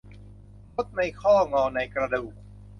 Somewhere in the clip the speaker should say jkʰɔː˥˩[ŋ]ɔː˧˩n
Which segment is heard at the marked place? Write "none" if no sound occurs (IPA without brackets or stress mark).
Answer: ŋ